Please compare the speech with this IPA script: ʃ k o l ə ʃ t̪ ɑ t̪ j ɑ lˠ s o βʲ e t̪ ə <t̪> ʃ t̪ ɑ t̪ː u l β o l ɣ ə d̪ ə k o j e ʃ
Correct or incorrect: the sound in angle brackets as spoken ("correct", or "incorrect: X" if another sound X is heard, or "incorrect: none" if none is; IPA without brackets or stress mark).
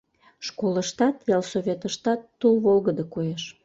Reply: incorrect: none